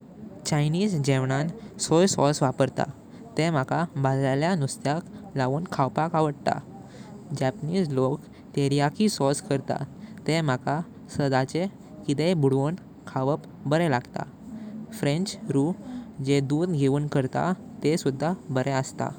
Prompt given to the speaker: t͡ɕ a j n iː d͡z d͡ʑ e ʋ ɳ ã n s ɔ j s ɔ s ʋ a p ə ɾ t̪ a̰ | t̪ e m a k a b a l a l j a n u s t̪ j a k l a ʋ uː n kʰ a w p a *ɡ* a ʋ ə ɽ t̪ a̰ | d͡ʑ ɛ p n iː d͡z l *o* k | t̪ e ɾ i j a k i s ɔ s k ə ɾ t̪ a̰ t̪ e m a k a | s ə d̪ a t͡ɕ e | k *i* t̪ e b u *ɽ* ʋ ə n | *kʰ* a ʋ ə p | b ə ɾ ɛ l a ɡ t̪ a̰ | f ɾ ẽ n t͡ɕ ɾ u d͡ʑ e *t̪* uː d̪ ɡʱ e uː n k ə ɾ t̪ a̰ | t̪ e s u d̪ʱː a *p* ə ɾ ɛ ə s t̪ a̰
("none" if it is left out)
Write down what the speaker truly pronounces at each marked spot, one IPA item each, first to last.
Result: k, o, i, ɽ, kʰ, d̪, b

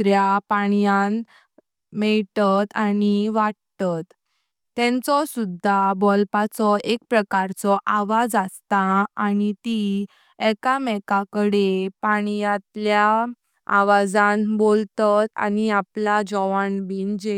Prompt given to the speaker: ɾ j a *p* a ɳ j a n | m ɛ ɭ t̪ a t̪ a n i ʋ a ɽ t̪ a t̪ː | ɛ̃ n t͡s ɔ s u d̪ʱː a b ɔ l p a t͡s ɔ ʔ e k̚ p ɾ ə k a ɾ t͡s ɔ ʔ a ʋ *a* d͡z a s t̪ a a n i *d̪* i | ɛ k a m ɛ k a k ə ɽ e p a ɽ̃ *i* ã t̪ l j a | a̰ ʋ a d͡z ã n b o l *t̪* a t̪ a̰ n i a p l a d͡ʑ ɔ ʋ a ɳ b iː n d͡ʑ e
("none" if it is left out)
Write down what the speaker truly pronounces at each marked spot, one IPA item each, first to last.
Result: p, a, t̪, j, t̪

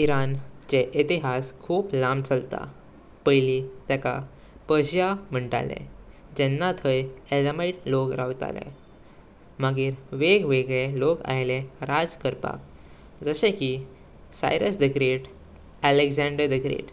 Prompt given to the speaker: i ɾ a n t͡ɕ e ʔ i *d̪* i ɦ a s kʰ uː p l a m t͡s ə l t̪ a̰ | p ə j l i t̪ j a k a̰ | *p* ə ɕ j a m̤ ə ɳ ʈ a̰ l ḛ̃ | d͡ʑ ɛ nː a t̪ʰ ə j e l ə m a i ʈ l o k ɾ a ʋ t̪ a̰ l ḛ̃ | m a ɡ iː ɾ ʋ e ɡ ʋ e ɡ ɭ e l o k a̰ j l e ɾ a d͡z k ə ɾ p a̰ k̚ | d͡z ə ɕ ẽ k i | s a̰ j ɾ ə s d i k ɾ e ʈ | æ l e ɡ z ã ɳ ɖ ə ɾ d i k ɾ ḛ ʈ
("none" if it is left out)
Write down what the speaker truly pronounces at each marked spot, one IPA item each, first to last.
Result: t̪, p

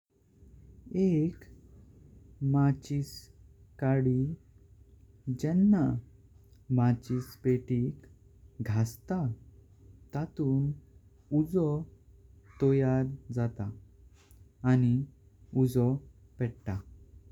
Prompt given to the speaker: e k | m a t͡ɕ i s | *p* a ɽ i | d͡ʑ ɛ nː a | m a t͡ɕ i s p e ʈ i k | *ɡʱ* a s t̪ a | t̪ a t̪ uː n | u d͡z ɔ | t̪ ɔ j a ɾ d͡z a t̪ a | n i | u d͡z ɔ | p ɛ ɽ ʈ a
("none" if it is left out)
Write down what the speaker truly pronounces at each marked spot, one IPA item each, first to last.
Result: k, ɡʱ

